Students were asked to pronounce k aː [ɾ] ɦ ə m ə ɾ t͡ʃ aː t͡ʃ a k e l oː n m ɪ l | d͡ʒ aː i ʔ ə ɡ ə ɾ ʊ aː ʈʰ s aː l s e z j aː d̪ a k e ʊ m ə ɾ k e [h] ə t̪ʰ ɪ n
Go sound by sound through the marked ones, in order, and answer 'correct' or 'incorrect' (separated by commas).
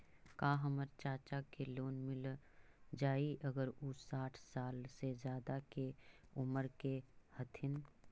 incorrect, correct